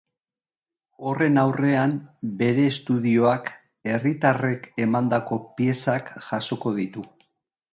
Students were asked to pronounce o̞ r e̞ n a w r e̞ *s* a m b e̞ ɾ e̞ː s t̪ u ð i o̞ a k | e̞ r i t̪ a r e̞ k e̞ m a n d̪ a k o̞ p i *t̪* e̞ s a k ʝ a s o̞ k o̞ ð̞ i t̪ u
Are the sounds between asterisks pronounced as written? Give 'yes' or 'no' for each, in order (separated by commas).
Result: no, no